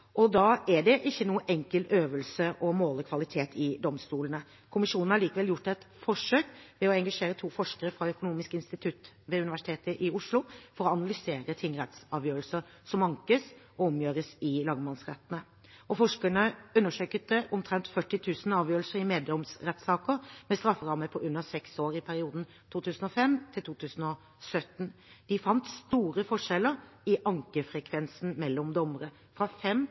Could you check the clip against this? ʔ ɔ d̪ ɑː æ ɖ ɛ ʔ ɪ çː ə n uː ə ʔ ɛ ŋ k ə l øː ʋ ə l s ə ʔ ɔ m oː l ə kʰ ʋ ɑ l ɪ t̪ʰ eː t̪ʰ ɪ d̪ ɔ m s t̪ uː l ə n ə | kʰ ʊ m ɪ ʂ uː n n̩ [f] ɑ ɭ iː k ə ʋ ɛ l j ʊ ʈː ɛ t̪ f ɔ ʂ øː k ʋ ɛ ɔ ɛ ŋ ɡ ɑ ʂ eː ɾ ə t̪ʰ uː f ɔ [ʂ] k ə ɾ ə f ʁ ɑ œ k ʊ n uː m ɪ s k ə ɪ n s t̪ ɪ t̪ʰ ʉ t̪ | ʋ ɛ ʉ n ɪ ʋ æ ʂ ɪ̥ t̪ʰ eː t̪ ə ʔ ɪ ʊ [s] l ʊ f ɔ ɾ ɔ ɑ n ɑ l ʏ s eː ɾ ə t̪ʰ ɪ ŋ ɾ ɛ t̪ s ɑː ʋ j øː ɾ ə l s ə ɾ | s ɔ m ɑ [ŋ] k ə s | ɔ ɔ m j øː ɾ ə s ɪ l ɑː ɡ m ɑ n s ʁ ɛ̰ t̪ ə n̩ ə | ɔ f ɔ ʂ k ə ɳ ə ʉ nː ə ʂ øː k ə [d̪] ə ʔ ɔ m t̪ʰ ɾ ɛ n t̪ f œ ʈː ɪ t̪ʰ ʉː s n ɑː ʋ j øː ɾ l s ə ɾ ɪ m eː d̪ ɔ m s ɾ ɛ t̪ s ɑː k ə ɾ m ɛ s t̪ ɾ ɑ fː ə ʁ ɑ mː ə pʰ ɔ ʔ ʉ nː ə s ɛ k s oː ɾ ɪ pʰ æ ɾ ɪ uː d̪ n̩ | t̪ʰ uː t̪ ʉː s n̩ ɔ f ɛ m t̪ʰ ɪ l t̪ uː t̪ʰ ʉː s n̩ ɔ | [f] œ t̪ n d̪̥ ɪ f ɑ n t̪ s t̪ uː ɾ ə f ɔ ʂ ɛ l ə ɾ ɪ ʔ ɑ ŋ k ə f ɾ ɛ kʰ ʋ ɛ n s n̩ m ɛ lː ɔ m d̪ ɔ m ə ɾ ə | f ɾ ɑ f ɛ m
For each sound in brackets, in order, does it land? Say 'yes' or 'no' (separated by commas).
no, yes, no, yes, no, no